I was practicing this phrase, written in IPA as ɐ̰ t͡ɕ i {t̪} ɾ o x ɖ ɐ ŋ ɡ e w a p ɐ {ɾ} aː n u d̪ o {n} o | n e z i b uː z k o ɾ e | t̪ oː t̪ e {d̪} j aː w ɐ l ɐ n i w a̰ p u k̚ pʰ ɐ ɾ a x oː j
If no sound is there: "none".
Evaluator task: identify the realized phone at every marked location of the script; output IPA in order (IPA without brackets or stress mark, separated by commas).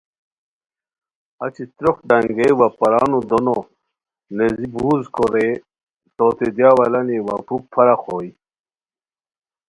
t̪, ɾ, n, d̪